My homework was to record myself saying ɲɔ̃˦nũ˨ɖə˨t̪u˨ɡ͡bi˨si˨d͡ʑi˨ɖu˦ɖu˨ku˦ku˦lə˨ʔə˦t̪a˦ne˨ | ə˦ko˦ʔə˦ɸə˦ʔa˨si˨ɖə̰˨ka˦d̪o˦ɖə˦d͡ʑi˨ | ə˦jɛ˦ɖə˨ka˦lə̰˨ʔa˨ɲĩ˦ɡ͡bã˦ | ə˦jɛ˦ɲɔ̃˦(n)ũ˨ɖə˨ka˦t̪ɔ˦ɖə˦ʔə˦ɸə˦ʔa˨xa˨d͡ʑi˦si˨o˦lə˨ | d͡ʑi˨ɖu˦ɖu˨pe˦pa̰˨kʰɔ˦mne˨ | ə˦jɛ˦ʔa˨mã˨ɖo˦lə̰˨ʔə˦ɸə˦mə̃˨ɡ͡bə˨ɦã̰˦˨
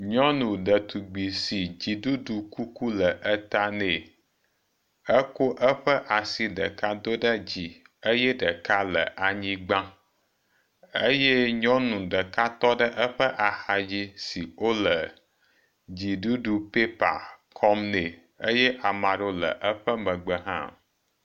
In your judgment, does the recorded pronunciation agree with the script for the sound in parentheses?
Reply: yes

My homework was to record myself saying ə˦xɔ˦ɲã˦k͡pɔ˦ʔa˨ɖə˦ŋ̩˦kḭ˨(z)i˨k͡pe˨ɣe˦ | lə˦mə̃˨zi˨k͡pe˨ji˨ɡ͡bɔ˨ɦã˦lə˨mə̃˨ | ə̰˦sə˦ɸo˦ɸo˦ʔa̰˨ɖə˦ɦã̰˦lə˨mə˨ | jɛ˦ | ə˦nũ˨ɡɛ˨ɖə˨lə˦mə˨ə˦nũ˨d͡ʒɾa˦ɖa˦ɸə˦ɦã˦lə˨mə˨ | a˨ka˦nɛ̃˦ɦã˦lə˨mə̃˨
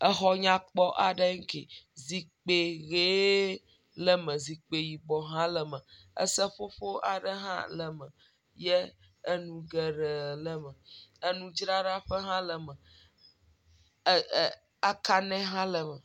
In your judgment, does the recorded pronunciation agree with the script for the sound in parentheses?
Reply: yes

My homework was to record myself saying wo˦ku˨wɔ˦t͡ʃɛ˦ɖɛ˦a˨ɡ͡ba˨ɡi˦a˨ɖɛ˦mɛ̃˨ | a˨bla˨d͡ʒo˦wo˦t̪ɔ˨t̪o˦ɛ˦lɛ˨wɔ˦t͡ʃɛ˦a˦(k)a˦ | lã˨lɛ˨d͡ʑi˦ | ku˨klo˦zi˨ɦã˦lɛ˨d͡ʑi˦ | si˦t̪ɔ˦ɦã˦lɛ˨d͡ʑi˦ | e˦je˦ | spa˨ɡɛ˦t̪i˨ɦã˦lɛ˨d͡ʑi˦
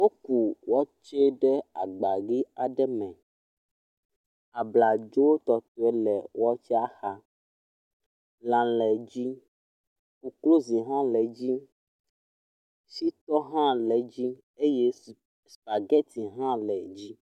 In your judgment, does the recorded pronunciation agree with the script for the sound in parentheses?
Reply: no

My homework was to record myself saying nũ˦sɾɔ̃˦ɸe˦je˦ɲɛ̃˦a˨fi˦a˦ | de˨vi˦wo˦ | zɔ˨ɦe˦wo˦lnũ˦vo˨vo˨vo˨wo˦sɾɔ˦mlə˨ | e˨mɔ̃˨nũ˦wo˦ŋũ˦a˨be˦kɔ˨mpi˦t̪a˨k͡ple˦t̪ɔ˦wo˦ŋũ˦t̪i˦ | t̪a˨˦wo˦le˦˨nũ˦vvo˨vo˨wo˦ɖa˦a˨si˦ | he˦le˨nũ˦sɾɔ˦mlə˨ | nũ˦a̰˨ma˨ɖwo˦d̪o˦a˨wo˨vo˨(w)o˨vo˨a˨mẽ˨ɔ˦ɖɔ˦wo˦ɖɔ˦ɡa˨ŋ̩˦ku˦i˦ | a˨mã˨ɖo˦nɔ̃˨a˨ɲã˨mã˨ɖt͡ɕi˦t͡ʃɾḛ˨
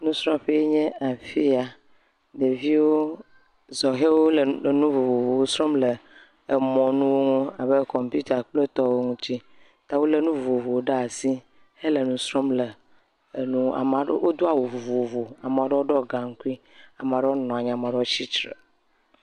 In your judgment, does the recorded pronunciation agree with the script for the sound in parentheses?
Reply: no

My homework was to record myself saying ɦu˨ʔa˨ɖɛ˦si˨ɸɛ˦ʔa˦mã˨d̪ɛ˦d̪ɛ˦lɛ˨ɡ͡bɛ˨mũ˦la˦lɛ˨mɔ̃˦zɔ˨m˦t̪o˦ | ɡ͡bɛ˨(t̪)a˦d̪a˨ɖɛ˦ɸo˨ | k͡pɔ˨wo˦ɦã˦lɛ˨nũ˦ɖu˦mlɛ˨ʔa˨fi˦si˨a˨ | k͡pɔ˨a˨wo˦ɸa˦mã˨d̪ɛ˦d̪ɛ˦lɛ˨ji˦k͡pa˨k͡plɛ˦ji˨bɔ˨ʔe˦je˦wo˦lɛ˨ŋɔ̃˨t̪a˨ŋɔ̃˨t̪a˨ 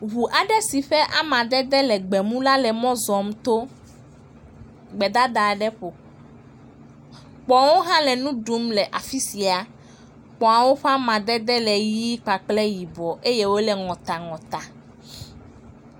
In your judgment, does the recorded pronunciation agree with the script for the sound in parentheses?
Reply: no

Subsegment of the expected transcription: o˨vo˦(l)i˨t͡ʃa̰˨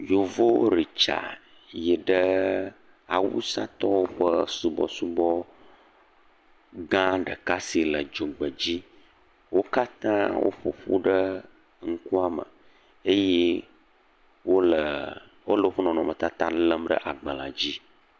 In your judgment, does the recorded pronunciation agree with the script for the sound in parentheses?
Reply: no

